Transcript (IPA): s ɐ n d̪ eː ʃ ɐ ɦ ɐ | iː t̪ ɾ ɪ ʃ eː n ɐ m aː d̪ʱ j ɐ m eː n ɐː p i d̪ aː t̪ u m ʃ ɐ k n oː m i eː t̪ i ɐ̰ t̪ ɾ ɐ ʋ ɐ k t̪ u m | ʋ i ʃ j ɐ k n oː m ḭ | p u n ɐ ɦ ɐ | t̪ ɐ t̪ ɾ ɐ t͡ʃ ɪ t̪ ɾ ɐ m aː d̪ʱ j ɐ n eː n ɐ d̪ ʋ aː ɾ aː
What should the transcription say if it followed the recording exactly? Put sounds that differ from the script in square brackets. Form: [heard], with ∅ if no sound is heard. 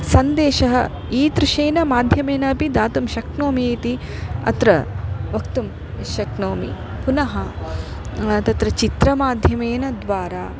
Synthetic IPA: s ɐ n d̪ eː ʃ ɐ ɦ ɐ | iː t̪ ɾ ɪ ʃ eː n ɐ m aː d̪ʱ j ɐ m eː n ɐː p i d̪ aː t̪ u m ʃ ɐ k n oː m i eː t̪ i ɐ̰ t̪ ɾ ɐ ʋ ɐ k t̪ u m | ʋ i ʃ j ɐ k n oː m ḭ | p u n ɐ ɦ ɐ | t̪ ɐ t̪ ɾ ɐ t͡ʃ [i] t̪ ɾ ɐ m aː d̪ʱ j ɐ [m] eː n ɐ d̪ ʋ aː ɾ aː